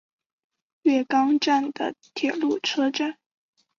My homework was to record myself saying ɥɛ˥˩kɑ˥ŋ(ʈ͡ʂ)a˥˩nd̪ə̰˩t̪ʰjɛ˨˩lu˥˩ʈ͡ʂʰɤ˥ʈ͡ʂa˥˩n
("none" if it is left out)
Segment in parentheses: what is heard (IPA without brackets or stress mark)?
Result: ʈ͡ʂ